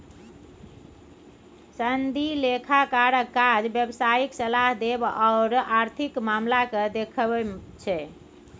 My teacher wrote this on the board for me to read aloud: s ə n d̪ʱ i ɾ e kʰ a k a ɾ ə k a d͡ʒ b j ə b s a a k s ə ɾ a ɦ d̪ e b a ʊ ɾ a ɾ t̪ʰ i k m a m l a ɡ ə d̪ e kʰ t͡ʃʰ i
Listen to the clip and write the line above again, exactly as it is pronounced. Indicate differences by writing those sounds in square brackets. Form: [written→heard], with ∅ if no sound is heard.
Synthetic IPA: s ə n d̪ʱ i [ɾ→l] e kʰ a k a ɾ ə k a d͡ʒ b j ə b s a [a→i] k s ə [ɾ→l] a ɦ d̪ e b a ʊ ɾ a ɾ t̪ʰ i k m a m l a [ɡ→k] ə d̪ e kʰ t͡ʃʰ [i→ɛ]